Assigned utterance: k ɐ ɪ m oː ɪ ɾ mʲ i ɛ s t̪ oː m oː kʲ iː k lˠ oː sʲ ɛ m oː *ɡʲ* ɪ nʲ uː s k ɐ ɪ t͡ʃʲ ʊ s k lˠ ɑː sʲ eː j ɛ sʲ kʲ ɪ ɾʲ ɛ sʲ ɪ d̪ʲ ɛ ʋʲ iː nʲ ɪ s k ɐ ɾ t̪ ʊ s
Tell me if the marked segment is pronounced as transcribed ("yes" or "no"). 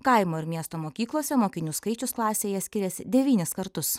no